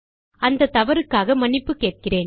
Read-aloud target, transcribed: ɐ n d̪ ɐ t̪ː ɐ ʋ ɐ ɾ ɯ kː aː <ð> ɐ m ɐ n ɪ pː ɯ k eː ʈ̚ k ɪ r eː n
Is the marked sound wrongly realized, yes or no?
yes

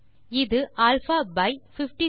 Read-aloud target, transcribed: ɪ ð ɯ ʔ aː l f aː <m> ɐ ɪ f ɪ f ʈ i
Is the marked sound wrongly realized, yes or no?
yes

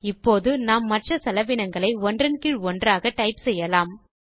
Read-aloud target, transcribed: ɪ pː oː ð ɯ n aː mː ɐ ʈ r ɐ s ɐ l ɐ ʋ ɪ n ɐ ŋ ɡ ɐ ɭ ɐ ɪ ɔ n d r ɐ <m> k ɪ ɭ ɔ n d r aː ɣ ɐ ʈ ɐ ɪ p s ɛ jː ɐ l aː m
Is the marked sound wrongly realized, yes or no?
yes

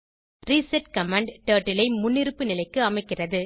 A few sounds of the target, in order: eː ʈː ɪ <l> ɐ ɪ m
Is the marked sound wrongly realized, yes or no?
no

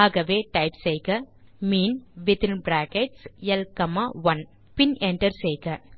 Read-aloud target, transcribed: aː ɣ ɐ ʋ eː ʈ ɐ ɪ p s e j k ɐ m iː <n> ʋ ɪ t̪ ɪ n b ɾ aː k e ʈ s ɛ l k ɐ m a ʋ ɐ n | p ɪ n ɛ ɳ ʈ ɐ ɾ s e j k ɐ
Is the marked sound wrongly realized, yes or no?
no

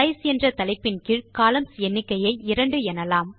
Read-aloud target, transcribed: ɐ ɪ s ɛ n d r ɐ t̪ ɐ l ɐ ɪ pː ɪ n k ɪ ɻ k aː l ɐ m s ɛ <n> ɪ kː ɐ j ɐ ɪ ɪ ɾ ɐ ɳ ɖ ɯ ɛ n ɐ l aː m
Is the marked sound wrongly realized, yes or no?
yes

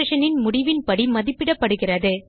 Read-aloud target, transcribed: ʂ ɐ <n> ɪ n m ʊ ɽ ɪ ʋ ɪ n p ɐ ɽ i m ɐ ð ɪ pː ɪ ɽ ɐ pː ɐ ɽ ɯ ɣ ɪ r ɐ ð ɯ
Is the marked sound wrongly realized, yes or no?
no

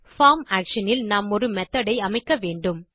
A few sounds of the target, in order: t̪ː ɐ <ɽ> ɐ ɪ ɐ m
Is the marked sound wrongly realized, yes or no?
no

